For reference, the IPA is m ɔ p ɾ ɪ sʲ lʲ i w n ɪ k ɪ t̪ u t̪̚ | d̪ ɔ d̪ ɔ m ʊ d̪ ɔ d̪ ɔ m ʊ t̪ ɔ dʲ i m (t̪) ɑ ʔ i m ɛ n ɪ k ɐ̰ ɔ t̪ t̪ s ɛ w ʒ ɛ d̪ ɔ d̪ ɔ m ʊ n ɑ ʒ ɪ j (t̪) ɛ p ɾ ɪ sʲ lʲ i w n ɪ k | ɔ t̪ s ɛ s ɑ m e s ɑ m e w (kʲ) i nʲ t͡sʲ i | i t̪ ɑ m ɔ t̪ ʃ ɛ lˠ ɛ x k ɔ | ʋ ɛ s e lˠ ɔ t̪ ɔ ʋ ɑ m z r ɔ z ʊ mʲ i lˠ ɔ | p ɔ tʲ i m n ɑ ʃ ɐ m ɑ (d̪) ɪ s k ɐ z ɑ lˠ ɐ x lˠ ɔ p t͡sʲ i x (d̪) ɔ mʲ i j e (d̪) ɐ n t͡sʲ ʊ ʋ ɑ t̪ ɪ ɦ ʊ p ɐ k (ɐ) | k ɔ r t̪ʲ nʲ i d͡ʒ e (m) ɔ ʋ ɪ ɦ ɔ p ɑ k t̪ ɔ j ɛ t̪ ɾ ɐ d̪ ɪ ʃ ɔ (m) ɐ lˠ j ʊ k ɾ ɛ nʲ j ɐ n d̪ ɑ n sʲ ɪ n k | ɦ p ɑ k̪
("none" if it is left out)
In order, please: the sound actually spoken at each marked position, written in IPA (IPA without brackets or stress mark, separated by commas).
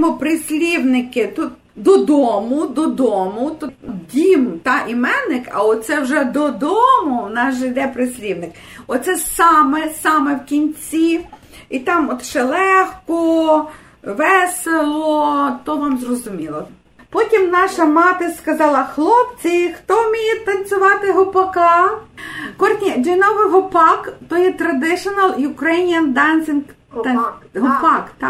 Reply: t̪, d̪, kʲ, t̪, t̪, t̪, ɑ, n, n